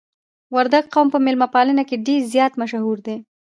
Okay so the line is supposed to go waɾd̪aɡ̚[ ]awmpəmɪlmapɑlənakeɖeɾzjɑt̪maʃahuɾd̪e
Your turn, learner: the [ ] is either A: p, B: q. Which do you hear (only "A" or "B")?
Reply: B